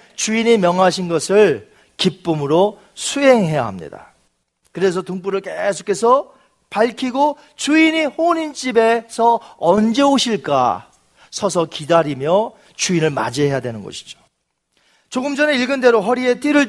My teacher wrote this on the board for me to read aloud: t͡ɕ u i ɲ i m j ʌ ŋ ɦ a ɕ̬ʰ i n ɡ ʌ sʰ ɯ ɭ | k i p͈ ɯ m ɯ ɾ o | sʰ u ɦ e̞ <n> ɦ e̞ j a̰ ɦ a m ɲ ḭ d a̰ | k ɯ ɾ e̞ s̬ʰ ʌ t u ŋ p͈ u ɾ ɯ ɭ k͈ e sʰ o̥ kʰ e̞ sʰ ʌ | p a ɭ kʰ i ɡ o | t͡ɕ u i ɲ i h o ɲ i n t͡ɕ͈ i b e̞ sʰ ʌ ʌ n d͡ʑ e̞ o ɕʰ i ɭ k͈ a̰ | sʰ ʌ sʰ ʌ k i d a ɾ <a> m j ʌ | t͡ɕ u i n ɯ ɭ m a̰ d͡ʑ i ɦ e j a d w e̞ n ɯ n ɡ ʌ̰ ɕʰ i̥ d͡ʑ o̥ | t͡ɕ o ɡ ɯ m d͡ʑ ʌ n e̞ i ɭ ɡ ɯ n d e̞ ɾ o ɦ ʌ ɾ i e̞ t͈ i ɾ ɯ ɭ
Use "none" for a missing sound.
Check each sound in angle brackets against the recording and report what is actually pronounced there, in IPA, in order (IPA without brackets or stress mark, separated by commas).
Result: ŋ, i